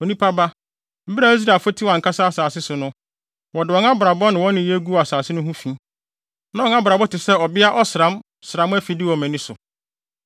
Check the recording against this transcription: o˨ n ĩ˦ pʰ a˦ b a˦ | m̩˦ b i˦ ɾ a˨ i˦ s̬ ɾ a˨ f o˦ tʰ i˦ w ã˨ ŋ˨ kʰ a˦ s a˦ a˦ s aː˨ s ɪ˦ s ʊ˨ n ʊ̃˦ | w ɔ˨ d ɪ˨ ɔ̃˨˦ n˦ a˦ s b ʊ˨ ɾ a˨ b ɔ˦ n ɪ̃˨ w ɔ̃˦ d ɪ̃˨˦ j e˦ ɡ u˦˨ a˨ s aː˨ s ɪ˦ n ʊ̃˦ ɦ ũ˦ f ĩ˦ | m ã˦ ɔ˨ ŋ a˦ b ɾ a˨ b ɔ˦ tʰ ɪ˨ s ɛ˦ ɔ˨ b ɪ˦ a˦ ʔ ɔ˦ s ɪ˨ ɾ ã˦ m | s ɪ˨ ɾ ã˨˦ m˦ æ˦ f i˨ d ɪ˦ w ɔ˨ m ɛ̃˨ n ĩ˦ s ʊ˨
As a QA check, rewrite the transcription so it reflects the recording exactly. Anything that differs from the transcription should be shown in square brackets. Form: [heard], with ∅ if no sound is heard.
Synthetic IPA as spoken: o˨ n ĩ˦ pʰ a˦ b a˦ | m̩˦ b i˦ ɾ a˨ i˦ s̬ ɾ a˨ f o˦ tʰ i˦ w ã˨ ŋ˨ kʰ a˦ s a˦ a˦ s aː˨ s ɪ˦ s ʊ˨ n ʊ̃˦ | w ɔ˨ d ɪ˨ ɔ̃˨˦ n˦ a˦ [∅] b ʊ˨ ɾ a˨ b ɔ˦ n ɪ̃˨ w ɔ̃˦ [n] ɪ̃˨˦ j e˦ ɡ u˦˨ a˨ s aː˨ s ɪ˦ n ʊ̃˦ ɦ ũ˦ f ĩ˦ | [n] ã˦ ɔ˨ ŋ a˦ b ɾ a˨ b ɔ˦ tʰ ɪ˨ s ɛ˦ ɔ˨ b ɪ˦ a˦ ʔ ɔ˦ s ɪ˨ ɾ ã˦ m | s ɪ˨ ɾ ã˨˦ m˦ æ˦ f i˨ d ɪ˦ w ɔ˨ m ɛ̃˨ n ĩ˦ s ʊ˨

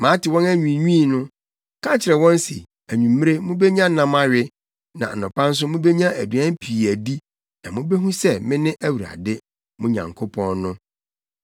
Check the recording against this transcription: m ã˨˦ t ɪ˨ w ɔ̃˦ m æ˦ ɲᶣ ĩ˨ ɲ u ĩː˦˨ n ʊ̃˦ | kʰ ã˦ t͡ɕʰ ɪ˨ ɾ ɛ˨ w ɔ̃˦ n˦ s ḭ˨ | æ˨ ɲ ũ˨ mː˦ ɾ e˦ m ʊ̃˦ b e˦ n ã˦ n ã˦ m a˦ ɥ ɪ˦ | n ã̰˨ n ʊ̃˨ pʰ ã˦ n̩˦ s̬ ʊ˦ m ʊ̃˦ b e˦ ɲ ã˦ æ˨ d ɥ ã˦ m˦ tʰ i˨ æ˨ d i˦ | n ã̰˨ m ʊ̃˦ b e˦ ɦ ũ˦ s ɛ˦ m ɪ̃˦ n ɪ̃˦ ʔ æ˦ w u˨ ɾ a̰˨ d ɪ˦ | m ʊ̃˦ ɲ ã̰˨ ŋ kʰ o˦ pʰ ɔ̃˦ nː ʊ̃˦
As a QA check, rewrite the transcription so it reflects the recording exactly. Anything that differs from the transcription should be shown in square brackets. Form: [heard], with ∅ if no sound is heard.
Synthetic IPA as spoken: m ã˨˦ t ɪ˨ w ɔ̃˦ [n] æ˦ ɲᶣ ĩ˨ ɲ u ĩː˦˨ n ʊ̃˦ | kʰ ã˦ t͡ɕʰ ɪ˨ ɾ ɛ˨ w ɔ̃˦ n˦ s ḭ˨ | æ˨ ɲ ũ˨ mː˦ ɾ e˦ m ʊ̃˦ b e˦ [ɲ] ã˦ n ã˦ m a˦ ɥ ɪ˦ | n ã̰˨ n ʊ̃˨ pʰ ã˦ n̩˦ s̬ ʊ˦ m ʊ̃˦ b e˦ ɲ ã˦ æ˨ d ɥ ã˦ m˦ [pʰ] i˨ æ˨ d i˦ | n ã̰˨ m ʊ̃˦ b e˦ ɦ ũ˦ s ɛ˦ m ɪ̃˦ n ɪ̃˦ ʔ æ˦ w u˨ ɾ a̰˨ d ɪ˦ | m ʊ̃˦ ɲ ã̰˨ ŋ kʰ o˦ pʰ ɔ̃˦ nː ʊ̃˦

